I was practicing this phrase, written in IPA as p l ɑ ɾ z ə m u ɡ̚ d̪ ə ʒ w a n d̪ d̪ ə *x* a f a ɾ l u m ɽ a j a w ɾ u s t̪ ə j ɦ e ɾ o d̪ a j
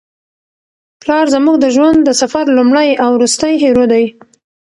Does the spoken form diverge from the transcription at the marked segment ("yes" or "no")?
yes